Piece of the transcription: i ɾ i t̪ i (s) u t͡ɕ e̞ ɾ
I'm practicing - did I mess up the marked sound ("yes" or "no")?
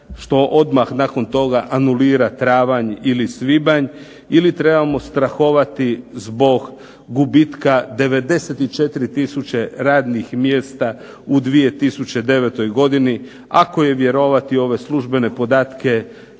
no